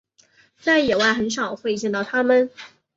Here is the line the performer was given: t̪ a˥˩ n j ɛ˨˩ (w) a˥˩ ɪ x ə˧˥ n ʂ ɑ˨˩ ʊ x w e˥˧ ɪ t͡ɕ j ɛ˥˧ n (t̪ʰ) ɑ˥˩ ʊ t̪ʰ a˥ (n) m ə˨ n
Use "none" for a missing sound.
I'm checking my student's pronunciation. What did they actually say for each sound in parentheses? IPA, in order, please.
w, t̪, none

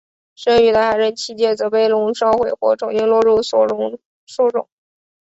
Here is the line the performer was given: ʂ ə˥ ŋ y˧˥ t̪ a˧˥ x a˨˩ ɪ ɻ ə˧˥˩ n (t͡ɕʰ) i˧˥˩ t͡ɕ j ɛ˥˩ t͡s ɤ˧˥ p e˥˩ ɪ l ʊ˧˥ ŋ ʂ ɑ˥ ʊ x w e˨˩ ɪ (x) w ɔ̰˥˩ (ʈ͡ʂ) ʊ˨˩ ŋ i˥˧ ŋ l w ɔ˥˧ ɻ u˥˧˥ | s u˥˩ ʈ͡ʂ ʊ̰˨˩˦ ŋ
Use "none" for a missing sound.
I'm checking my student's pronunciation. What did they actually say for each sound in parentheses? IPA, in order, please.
t͡ɕʰ, x, ʈ͡ʂ

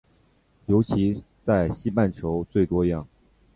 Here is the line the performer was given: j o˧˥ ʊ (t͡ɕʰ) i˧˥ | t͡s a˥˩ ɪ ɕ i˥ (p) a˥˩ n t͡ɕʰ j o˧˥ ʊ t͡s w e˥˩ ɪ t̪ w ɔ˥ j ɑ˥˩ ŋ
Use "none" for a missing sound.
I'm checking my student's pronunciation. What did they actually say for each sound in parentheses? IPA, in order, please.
t͡ɕʰ, p

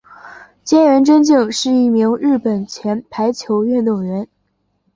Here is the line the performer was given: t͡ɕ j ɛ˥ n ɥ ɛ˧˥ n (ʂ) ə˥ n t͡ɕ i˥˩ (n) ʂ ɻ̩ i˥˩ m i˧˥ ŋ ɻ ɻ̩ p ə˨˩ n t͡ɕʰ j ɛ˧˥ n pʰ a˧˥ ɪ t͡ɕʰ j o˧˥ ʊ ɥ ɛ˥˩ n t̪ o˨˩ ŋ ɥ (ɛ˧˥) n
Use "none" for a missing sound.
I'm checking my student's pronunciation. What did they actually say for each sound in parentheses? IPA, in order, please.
ʈ͡ʂ, ŋ, ɛ˧˥

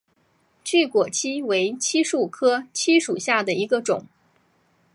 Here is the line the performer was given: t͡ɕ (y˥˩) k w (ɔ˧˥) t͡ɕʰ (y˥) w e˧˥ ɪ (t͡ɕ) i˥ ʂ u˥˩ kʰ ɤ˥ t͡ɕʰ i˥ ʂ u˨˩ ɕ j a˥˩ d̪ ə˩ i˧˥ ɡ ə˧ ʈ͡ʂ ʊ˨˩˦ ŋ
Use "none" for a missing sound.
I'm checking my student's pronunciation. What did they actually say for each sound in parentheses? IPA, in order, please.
y˥˩, ɔ˨˩, i˥, t͡ɕʰ

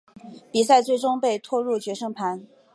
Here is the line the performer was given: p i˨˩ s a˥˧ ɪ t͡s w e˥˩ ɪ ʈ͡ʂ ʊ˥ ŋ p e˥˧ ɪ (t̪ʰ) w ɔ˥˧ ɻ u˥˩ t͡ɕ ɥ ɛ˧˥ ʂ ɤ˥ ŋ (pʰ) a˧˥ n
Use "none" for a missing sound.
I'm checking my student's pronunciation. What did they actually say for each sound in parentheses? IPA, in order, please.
t̪ʰ, pʰ

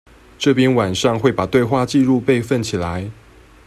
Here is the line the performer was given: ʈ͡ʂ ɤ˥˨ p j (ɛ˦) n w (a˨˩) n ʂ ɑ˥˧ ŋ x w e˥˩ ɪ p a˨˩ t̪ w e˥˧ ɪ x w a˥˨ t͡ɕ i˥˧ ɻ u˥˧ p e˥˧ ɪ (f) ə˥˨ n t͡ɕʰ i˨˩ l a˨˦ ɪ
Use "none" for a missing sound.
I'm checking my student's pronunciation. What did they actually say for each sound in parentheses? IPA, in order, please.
ɛ˦, a˨˩, f

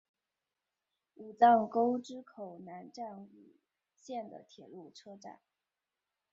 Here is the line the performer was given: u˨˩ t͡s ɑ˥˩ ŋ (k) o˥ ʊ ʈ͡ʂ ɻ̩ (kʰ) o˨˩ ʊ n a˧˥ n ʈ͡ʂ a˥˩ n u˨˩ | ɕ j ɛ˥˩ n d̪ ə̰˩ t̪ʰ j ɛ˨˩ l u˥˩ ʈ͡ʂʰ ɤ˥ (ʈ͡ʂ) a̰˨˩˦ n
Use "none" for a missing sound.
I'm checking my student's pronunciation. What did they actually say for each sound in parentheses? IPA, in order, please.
k, kʰ, ʈ͡ʂ

